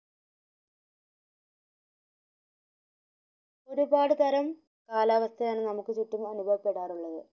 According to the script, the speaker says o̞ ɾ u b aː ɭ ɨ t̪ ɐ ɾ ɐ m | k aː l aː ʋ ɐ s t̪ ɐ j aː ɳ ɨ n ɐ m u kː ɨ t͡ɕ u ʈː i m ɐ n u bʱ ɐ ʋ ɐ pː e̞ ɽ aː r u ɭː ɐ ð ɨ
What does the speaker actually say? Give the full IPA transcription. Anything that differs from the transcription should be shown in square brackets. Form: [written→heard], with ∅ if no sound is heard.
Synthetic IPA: o̞ ɾ u b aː [ɭ→ɽ] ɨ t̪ ɐ ɾ ɐ m | k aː l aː ʋ ɐ s [t̪→t̪ʰ] ɐ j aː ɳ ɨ n ɐ m u kː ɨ t͡ɕ u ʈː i m ɐ n u bʱ ɐ ʋ ɐ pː e̞ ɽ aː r u ɭː ɐ ð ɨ